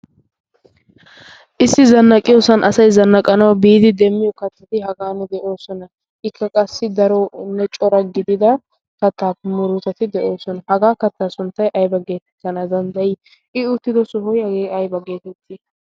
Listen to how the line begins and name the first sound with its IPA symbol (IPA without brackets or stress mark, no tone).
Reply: ʔ